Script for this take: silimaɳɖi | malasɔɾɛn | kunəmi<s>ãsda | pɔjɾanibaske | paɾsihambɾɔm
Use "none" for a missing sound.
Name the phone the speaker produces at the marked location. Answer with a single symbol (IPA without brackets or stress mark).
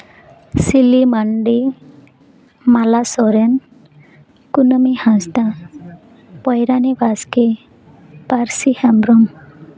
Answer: h